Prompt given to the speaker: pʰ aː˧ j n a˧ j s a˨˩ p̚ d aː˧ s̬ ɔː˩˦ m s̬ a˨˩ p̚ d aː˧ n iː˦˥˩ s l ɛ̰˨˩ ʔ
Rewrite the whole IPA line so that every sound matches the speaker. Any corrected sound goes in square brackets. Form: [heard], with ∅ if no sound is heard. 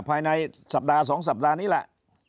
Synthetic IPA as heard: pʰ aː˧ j n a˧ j s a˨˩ p̚ d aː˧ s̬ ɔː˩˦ [ŋ] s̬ a˨˩ p̚ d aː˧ n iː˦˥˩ [∅] l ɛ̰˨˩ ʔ